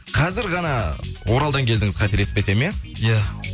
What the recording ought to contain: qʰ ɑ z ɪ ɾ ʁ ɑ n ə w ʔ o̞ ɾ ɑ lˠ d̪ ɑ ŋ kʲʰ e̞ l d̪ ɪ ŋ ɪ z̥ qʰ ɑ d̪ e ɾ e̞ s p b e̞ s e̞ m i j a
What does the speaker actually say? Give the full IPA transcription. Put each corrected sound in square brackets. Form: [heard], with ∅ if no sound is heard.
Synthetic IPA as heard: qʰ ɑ z ɪ ɾ ʁ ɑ n [ɑ] w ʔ o̞ ɾ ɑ lˠ d̪ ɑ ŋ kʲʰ e̞ l d̪ ɪ ŋ ɪ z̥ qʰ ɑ [t̪] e ɾ e̞ s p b e̞ s e̞ m [e] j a

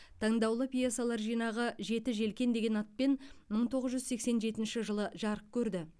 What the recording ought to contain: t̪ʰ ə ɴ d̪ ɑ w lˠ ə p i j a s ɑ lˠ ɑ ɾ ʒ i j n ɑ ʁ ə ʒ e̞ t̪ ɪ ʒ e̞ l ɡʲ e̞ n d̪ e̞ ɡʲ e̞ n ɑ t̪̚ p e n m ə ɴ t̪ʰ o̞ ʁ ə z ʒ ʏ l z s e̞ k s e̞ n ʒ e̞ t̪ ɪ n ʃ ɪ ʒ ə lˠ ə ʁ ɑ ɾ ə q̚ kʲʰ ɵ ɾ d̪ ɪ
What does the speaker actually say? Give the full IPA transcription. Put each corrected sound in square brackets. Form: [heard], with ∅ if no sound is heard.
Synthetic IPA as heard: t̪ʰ [ɑ] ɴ d̪ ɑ w lˠ ə p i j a s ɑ lˠ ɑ ɾ ʒ i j n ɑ ʁ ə ʒ e̞ t̪ ɪ ʒ e̞ l [kʲ] e̞ n d̪ e̞ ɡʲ e̞ n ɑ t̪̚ p e n m ə ɴ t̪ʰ o̞ ʁ ə z ʒ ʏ [∅] z s e̞ k s e̞ n ʒ e̞ t̪ ɪ n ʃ ɪ ʒ ə lˠ ə [ʒ] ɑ ɾ ə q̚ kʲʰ ɵ ɾ d̪ ɪ

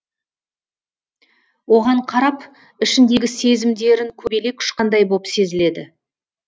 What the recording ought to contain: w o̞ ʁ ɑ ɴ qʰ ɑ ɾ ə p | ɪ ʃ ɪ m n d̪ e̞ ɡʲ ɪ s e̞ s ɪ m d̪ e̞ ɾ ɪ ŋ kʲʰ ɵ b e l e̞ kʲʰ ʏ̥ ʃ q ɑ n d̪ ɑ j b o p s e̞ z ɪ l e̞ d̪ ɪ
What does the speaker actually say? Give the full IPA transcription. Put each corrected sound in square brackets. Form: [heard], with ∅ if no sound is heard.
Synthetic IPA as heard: w o̞ ʁ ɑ ɴ qʰ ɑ ɾ [ɑ] p | ɪ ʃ ɪ [∅] n d̪ e̞ ɡʲ ɪ s e̞ [z] ɪ m d̪ e̞ ɾ ɪ ŋ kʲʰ ɵ b e l e̞ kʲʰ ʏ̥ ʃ q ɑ n d̪ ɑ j b o p s e̞ z ɪ l e̞ d̪ ɪ

